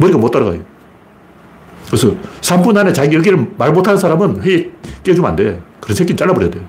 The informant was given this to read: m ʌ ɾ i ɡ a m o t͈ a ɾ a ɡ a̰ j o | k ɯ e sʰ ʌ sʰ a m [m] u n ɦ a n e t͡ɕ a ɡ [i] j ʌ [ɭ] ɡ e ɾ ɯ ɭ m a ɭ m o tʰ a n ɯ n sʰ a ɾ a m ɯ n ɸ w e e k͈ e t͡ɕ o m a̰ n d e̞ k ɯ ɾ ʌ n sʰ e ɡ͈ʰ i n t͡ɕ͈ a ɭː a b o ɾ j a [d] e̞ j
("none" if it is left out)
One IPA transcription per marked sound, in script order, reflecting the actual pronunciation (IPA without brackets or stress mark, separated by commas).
b, i, none, d